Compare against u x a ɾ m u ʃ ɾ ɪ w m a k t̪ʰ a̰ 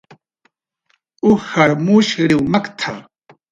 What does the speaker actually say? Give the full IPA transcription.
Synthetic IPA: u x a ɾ m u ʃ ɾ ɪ w m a k t̪ʰ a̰